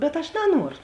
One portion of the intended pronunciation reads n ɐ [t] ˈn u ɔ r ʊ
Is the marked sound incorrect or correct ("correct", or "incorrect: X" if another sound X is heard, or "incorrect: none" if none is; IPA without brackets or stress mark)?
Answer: incorrect: none